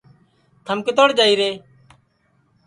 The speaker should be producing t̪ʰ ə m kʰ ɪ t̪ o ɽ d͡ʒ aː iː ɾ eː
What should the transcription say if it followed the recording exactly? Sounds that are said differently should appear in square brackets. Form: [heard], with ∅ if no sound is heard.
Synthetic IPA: t̪ʰ ə m [k] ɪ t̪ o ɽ d͡ʒ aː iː ɾ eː